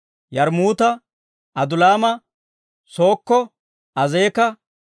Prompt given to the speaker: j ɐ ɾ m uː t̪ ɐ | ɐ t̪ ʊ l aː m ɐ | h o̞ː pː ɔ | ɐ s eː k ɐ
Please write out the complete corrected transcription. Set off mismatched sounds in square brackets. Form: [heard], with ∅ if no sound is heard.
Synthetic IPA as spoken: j ɐ ɾ m uː t̪ ɐ | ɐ [d̪] ʊ l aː m ɐ | [s] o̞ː [kː] ɔ | ɐ [z] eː k ɐ

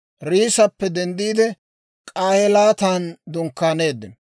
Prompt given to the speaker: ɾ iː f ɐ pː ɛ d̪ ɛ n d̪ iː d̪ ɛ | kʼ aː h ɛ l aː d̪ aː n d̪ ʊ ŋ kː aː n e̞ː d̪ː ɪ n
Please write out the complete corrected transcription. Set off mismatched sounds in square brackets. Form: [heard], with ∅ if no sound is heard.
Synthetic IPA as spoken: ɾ iː [s] ɐ pː ɛ d̪ ɛ n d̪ iː d̪ ɛ | kʼ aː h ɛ l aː [t̪] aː n d̪ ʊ ŋ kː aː n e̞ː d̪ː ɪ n

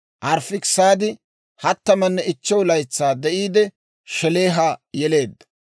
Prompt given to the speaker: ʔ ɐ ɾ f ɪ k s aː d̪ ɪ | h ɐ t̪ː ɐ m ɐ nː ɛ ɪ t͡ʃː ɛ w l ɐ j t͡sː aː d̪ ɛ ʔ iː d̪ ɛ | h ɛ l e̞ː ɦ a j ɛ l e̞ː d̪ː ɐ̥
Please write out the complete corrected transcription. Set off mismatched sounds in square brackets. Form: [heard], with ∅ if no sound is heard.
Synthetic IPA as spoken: ʔ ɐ ɾ f ɪ k s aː d̪ ɪ | h ɐ t̪ː ɐ m ɐ nː ɛ ɪ t͡ʃː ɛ w l ɐ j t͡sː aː d̪ ɛ ʔ iː d̪ ɛ | [ʃ] ɛ l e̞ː ɦ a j ɛ l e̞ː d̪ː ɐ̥

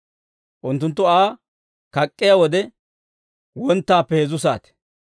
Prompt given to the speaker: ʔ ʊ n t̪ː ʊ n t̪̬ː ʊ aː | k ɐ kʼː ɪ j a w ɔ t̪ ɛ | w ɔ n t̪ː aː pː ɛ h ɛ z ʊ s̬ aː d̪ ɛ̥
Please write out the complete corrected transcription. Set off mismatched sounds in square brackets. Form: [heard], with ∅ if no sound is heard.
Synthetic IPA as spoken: ʔ ʊ n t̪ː ʊ n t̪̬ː ʊ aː | k ɐ kʼː ɪ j a w ɔ [d̪] ɛ | w ɔ n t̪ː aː pː ɛ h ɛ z ʊ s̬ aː [t̪] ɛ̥

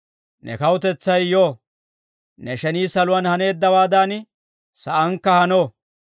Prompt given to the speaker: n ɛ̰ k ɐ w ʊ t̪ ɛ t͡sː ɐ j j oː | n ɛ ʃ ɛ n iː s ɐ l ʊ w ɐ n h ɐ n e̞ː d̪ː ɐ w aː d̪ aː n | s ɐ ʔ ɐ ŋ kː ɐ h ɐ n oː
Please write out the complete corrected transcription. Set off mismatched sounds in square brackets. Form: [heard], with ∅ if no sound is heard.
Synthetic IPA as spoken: n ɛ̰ k ɐ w ʊ t̪ ɛ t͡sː ɐ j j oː | n ɛ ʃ ɛ n iː s ɐ l ʊ w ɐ n h ɐ n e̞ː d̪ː ɐ w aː d̪ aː n | s ɐ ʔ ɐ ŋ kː ɐ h ɐ n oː

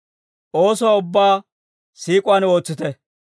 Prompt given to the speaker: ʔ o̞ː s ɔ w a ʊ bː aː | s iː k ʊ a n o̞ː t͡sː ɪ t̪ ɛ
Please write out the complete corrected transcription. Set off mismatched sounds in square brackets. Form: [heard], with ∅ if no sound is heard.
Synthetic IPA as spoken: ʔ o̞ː s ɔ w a ʊ bː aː | s iː [kʼ] ʊ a n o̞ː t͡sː ɪ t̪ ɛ

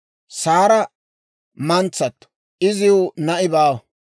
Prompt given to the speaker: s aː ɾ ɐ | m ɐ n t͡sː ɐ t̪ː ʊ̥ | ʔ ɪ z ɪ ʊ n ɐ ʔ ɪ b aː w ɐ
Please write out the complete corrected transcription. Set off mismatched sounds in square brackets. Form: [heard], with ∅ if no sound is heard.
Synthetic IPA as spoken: s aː ɾ ɐ | m ɐ n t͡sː ɐ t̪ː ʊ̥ | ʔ ɪ z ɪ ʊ n ɐ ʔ ɪ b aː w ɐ

